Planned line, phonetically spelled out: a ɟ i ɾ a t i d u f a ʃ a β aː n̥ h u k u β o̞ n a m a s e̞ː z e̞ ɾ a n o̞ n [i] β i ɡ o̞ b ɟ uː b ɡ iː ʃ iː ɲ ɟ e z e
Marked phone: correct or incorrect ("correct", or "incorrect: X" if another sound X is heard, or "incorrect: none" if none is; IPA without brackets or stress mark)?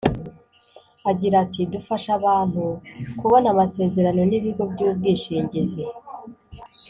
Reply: correct